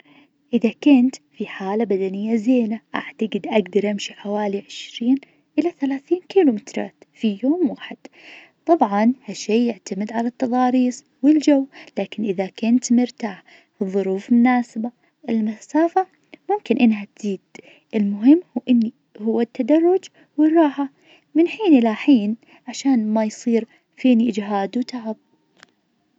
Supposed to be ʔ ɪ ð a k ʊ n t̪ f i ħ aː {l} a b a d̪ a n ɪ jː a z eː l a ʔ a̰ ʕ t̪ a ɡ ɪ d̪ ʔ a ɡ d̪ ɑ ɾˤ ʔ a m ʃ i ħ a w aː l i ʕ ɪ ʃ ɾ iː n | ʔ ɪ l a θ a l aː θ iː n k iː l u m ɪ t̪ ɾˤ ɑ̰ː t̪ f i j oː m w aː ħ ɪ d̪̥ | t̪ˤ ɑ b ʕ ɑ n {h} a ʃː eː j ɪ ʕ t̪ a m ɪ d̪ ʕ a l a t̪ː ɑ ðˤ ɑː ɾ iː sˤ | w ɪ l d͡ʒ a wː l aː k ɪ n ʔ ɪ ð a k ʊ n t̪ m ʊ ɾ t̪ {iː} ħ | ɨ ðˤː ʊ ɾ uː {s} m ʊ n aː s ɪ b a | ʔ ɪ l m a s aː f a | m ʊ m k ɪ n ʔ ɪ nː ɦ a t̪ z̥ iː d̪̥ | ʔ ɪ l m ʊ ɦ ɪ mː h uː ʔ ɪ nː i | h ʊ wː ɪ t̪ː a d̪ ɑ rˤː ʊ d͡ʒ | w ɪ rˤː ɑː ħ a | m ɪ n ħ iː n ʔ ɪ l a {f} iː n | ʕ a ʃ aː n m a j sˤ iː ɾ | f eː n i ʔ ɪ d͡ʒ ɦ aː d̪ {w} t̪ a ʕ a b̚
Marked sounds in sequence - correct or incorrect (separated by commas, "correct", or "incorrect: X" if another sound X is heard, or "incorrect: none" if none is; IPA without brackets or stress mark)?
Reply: correct, correct, incorrect: aː, incorrect: f, incorrect: ħ, correct